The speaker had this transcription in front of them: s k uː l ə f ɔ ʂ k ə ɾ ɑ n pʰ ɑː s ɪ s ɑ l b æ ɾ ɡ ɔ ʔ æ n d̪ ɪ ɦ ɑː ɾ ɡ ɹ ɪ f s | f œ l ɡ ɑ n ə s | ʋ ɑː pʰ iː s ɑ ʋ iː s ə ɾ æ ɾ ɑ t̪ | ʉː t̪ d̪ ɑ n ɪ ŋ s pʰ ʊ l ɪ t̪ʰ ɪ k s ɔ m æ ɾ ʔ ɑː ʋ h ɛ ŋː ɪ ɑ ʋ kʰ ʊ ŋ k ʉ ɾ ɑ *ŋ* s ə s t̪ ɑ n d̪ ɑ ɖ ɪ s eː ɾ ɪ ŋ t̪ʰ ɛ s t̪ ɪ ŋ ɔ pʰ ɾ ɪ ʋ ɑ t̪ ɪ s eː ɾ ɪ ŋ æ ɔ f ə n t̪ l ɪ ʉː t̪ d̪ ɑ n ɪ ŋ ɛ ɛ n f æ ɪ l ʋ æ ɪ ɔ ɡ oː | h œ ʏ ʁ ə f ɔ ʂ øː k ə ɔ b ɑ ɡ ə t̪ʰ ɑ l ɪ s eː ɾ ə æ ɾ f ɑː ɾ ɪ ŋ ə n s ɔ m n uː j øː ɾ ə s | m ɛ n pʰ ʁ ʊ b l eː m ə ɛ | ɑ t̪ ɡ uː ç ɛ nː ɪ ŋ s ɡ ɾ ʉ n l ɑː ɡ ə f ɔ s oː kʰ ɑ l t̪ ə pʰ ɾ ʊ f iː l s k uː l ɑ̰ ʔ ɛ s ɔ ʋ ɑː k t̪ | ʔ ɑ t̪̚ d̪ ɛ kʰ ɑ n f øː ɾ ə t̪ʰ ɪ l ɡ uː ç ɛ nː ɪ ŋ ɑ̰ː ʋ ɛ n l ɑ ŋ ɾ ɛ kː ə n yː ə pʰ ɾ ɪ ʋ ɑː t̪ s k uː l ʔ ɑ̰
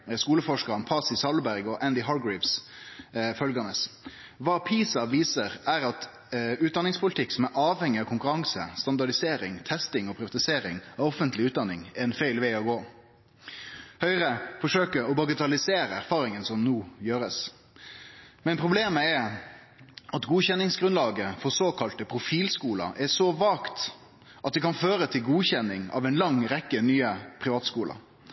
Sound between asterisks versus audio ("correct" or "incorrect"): correct